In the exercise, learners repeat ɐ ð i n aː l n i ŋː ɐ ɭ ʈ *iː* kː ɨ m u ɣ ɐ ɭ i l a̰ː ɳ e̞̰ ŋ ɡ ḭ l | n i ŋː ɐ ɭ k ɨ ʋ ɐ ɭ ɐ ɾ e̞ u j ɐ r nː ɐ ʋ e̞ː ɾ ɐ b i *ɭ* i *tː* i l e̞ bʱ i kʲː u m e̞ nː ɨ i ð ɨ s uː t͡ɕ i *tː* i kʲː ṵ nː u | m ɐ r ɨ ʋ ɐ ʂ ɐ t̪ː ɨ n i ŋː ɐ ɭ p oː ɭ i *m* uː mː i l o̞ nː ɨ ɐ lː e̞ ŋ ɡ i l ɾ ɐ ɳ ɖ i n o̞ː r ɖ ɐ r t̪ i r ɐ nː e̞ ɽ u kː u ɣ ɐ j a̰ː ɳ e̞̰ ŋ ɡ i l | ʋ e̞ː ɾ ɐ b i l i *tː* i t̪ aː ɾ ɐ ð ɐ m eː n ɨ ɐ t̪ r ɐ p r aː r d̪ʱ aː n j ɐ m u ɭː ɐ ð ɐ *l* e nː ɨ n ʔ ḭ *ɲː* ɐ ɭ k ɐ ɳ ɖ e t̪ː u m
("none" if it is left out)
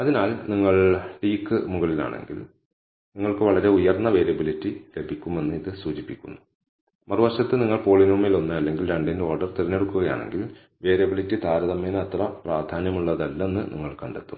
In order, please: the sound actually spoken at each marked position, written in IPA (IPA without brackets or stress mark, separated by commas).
iː, l, tː, pː, n, tː, lː, ŋː